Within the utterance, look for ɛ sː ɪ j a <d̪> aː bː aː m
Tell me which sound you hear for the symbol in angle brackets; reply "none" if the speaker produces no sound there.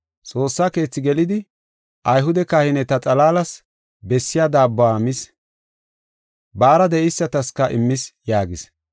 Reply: d̪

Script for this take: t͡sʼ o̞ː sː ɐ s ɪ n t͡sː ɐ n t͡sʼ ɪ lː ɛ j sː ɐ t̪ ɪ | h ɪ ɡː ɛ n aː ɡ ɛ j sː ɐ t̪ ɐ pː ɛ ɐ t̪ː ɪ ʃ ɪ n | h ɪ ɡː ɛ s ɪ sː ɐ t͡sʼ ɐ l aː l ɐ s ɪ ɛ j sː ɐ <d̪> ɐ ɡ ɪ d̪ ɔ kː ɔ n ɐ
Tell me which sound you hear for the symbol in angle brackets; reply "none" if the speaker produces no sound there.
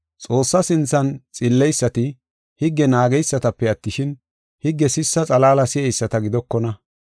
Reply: t̪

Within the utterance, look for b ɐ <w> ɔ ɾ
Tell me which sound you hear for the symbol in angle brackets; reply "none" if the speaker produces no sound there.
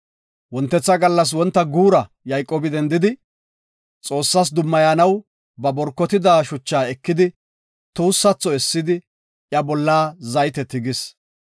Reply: b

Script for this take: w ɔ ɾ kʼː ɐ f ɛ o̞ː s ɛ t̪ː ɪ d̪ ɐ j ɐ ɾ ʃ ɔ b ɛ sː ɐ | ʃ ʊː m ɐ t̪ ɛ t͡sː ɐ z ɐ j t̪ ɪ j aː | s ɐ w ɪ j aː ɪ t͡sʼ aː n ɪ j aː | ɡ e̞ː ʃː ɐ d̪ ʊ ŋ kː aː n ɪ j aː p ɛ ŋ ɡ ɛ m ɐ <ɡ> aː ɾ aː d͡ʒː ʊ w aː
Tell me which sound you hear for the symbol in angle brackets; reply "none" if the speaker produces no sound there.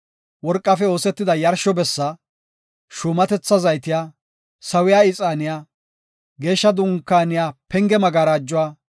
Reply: ɡ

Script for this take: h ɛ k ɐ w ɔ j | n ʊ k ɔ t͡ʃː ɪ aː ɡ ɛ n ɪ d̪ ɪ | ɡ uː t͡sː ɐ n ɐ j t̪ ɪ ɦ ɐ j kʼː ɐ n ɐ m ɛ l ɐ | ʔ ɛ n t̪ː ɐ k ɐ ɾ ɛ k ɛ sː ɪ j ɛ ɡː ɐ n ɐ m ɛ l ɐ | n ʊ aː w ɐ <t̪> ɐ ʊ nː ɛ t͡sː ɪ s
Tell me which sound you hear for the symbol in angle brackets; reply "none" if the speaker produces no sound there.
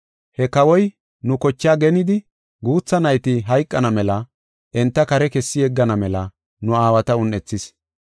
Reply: t̪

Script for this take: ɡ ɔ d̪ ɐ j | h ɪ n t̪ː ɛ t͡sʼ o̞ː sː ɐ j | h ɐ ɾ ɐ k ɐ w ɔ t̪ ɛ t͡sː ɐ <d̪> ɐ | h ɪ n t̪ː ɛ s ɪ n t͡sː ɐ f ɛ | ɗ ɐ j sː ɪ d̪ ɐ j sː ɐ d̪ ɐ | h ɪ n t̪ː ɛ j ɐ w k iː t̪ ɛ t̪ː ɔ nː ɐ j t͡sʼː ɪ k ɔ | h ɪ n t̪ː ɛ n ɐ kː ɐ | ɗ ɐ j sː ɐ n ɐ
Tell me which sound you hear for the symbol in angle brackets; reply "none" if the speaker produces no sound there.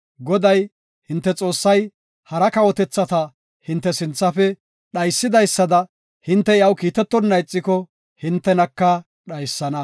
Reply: t̪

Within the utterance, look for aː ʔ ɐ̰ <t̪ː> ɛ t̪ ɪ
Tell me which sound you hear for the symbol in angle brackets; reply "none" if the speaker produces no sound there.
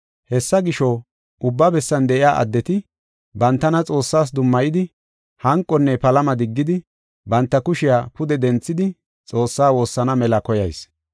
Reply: d̪ː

